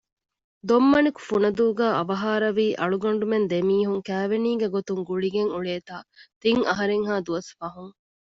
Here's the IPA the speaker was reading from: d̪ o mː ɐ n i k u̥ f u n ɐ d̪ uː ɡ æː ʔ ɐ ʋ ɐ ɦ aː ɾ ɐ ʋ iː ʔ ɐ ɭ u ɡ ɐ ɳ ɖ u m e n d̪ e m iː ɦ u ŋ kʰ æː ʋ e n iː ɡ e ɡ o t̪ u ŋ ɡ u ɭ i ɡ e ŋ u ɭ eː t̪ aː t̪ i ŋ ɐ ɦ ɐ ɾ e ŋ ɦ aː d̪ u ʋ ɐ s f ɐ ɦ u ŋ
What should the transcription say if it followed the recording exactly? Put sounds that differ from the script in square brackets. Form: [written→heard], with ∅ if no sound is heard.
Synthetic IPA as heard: d̪ o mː ɐ n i k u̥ f u n ɐ d̪ uː ɡ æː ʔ ɐ ʋ ɐ ɦ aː ɾ ɐ ʋ iː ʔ ɐ ɭ u ɡ ɐ ɳ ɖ u m e n d̪ e m iː ɦ u ŋ [kʰ→k] æː ʋ e n iː ɡ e ɡ o t̪ u ŋ ɡ u ɭ i ɡ e ŋ u ɭ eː t̪ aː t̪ i ŋ ɐ ɦ ɐ ɾ e ŋ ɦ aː d̪ u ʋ ɐ s f ɐ ɦ u ŋ

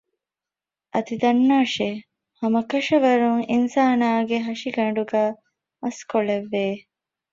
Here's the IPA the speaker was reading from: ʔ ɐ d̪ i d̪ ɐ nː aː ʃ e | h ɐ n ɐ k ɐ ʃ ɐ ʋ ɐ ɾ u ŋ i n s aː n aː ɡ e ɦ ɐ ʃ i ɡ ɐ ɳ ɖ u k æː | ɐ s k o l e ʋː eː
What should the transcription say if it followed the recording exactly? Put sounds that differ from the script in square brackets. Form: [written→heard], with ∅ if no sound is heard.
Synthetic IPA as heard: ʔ ɐ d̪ i d̪ ɐ nː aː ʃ e | h ɐ [n→m] ɐ k ɐ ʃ ɐ ʋ ɐ ɾ u ŋ i n s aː n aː ɡ e ɦ ɐ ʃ i ɡ ɐ ɳ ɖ u [k→ɡ] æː | ɐ s k o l e ʋː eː

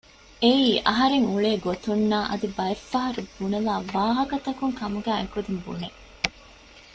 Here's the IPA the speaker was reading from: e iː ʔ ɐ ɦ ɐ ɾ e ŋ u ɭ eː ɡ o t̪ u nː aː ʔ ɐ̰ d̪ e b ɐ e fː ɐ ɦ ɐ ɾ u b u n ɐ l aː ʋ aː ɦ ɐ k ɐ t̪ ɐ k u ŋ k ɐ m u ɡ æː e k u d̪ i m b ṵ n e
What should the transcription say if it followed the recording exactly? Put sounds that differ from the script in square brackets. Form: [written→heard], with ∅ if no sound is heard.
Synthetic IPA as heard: e iː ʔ ɐ ɦ ɐ ɾ e ŋ u ɭ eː ɡ o t̪ u nː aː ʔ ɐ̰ d̪ [e→i] b ɐ e fː ɐ ɦ ɐ ɾ u b u n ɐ l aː ʋ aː ɦ ɐ k ɐ t̪ ɐ k u ŋ k ɐ m u ɡ æː e k u d̪ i m b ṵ n e

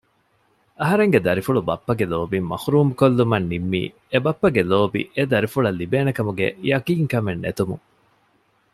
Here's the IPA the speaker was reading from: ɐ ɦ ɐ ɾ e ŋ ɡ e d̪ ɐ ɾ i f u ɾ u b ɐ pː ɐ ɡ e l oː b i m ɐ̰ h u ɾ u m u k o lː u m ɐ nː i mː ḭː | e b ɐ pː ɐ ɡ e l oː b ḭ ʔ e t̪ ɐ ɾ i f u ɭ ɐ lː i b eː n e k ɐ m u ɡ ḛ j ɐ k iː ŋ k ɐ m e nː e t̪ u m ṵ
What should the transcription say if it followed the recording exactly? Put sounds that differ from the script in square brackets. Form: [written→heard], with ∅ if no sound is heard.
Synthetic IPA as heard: ɐ ɦ ɐ ɾ e ŋ ɡ e d̪ ɐ ɾ i f u [ɾ→ɭ] u b ɐ pː ɐ ɡ e l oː b i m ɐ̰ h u ɾ [u→uː] m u k o lː u m ɐ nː i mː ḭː | e b ɐ pː ɐ ɡ e l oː b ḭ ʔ e [t̪→d̪] ɐ ɾ i f u ɭ ɐ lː i b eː n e k ɐ m u ɡ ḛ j ɐ k iː ŋ k ɐ m e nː e t̪ u m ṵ

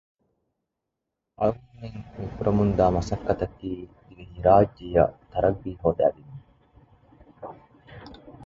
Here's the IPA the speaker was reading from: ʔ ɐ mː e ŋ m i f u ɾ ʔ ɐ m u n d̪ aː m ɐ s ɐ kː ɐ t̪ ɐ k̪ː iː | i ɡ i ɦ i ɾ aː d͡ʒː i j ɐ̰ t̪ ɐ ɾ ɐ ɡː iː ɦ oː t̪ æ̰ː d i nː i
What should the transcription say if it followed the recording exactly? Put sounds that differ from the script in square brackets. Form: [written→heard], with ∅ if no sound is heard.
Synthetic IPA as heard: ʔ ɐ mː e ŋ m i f u ɾ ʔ ɐ m u n d̪ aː m ɐ s ɐ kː ɐ t̪ ɐ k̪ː iː | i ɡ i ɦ i ɾ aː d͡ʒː i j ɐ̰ t̪ ɐ ɾ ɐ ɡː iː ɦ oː [t̪→d̪] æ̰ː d i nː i

